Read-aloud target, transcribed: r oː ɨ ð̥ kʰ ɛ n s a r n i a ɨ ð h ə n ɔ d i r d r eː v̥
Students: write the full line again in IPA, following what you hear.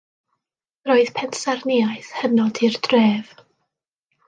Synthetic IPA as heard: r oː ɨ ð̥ pʰ ɛ n s a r n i a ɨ θ h ə n ɔ d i r d r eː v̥